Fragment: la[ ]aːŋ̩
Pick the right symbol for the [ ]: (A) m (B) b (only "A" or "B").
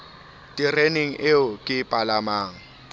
A